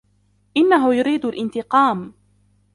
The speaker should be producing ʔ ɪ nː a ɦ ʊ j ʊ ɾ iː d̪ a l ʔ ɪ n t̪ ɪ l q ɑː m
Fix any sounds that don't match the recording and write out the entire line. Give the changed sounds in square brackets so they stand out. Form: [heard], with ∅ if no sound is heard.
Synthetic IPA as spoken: ʔ ɪ nː a ɦ ʊ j ʊ ɾ iː d̪ a l ʔ ɪ n t̪ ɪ [∅] q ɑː m